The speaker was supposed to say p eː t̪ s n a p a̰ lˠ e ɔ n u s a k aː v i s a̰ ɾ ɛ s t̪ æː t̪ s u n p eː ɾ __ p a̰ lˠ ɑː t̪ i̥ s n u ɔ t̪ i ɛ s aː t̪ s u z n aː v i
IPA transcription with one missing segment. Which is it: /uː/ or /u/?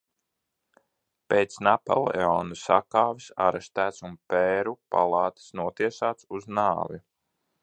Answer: u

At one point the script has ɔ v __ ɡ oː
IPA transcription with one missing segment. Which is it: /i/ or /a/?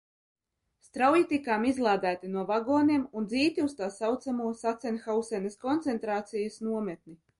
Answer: a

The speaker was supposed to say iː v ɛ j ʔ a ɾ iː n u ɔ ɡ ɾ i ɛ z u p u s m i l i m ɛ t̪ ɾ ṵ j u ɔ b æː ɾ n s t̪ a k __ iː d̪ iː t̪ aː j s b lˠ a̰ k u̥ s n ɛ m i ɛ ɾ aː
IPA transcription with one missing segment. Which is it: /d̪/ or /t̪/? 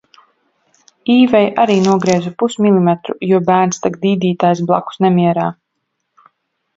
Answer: d̪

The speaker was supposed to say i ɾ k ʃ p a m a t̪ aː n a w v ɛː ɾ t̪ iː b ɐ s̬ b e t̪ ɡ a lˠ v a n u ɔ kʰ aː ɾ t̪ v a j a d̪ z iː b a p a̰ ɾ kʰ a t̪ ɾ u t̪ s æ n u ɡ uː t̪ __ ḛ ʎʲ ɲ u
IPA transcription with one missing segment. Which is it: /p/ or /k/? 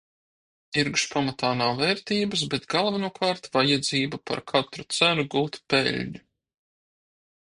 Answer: p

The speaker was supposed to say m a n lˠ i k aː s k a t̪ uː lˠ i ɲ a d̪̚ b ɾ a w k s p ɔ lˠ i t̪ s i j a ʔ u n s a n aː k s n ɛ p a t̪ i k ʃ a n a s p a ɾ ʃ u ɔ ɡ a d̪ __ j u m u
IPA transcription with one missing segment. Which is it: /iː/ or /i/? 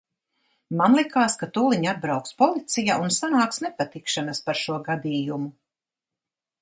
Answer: iː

